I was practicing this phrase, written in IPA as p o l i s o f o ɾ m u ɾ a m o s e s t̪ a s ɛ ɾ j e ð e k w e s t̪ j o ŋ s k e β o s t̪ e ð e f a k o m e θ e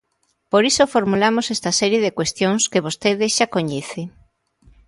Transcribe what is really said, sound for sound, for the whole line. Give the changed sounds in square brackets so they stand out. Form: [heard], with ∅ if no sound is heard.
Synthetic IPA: p o [ɾ] i s o f o ɾ m u [l] a m o s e s t̪ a s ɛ ɾ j e ð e k w e s t̪ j o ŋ s k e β o s t̪ e ð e [ʃ] a k o [ɲ] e θ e